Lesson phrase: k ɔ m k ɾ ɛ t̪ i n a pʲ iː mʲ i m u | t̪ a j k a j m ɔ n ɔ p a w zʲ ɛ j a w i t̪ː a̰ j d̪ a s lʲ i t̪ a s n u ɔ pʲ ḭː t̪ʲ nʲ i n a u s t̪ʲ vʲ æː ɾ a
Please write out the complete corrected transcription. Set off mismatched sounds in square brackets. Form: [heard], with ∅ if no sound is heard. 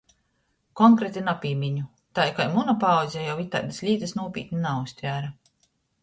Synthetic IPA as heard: k ɔ [ŋ] k ɾ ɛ t̪ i n a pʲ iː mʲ i [ɲ] u | t̪ a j k a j m [u] n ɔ p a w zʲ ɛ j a w i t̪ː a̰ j d̪ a s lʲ [iː] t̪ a s n u ɔ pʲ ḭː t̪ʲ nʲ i n a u s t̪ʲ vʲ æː ɾ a